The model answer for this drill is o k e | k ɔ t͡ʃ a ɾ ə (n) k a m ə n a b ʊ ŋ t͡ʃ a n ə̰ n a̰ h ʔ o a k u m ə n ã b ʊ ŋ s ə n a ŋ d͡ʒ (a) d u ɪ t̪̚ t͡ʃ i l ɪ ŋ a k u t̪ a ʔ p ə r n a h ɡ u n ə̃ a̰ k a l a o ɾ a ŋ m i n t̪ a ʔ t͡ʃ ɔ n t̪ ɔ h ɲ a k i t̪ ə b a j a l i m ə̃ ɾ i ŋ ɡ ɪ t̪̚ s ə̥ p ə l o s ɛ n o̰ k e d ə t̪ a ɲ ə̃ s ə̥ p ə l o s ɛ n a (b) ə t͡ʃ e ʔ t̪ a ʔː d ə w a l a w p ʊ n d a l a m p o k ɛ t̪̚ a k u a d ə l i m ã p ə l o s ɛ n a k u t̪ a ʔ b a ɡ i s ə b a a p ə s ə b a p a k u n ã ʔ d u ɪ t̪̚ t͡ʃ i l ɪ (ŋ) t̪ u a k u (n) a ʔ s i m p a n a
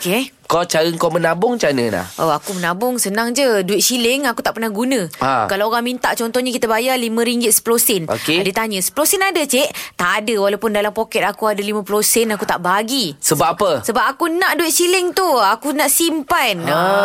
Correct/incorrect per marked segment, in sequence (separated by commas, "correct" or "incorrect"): incorrect, incorrect, incorrect, correct, correct